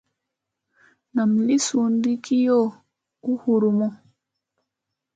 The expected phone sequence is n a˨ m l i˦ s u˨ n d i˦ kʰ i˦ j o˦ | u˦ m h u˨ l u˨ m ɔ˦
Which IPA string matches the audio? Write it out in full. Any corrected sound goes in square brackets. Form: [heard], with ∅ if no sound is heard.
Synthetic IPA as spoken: n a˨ m l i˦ s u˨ n d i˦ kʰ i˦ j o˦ | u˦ [∅] h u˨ [ɾ] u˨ m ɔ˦